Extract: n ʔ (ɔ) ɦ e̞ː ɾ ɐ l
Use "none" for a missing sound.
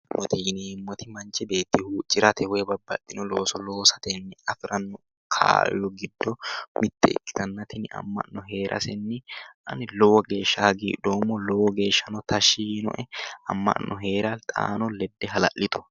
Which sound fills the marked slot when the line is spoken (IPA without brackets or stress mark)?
ɔ